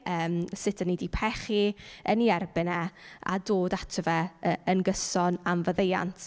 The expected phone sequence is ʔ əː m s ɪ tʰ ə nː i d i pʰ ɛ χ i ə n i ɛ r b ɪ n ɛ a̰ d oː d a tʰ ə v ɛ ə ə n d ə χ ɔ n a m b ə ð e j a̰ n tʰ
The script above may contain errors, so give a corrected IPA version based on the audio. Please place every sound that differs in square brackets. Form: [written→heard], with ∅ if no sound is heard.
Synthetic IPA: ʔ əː m s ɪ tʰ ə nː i d i pʰ ɛ χ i ə n i ɛ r b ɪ n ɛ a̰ d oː d a tʰ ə v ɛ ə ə n [d→ɡ] ə [χ→s] ɔ n a m [b→v] ə ð e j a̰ n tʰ